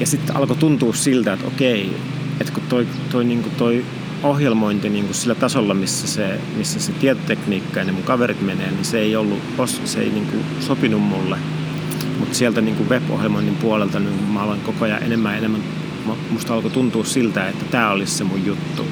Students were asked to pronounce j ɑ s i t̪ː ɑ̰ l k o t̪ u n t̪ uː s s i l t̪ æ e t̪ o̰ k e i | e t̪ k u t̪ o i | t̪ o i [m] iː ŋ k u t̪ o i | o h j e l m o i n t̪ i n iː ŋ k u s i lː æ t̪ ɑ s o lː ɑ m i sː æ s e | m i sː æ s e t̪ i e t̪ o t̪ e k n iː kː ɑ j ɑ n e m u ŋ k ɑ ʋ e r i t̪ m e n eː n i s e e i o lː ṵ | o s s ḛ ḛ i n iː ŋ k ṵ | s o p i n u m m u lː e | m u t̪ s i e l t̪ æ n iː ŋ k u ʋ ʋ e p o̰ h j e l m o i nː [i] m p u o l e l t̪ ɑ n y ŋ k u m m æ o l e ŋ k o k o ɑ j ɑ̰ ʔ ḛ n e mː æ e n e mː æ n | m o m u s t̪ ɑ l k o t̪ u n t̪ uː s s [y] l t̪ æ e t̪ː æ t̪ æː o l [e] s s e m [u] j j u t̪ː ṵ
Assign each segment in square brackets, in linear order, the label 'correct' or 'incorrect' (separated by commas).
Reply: incorrect, correct, incorrect, incorrect, correct